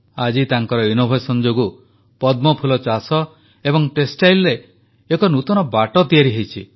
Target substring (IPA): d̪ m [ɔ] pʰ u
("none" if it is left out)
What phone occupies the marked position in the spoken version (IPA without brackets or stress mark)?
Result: ɔ